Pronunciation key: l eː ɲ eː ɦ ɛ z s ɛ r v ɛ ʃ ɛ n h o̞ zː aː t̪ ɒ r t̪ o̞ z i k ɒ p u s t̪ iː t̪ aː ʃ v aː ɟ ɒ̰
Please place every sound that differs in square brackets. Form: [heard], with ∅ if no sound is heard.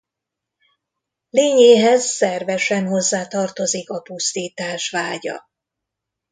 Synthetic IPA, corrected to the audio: l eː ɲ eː ɦ ɛ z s ɛ r v ɛ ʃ ɛ n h o̞ zː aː t̪ ɒ r t̪ o̞ z i k ɒ p u s t̪ iː t̪ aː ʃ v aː ɟ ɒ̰